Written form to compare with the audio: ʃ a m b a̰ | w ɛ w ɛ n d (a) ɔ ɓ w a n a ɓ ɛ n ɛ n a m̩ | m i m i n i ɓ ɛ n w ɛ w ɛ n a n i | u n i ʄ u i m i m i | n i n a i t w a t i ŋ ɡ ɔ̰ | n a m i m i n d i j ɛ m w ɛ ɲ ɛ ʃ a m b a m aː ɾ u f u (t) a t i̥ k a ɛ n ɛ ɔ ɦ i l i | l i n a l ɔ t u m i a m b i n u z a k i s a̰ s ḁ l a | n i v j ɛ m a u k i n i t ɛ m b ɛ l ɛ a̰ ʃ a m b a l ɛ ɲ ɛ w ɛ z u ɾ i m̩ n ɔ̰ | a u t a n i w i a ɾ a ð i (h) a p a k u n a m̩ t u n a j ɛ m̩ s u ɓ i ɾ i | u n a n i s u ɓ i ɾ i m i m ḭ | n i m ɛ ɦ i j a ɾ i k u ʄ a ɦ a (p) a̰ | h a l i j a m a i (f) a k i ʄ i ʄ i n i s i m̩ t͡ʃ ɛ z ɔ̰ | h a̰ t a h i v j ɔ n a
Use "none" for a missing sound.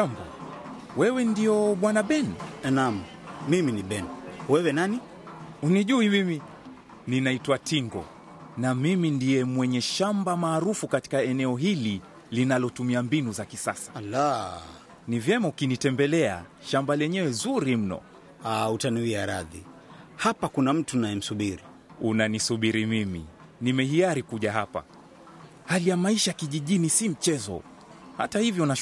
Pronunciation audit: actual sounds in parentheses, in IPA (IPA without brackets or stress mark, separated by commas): i, k, h, p, ʃ